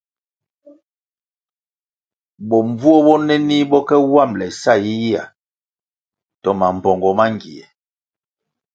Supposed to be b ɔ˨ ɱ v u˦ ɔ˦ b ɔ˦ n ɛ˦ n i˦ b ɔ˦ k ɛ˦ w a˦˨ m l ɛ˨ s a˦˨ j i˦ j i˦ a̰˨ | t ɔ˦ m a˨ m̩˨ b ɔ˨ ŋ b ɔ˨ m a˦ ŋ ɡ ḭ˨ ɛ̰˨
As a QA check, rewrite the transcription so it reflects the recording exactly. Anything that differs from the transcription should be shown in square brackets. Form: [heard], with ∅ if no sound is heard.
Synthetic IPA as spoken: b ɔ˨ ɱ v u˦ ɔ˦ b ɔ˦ n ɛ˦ n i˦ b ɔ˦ k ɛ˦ w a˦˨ m l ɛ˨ s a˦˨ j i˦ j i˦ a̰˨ | t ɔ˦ m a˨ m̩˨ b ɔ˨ ŋ [ɡ] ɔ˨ m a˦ ŋ ɡ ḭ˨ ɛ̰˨